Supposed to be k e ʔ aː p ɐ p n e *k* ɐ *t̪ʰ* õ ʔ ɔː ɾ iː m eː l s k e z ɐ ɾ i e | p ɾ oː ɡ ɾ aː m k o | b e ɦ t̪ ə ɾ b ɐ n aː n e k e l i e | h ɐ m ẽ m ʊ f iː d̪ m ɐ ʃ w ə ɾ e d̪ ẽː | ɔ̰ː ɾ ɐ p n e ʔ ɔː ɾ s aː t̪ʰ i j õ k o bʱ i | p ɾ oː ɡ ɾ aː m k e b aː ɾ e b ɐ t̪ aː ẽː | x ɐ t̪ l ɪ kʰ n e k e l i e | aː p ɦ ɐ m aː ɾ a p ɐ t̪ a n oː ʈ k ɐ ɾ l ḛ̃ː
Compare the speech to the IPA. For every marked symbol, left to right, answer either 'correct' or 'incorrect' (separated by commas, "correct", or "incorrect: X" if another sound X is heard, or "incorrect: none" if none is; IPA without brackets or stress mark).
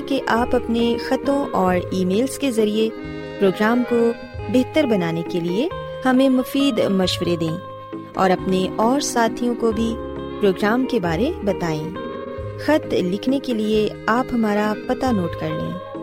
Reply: incorrect: x, incorrect: t̪